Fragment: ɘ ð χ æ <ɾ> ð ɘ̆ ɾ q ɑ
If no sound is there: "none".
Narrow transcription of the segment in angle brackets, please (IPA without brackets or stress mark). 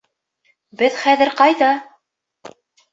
none